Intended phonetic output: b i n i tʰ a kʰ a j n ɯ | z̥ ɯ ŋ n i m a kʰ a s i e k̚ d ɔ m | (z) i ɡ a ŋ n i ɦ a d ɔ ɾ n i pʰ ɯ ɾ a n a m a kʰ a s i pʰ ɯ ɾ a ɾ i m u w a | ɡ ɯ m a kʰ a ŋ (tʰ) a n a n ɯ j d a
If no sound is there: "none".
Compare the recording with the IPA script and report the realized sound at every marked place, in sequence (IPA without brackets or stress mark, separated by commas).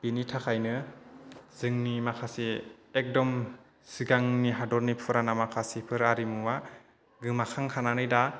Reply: s, kʰ